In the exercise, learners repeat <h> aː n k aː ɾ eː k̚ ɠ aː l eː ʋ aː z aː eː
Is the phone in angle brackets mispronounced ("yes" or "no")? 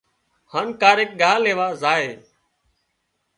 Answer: no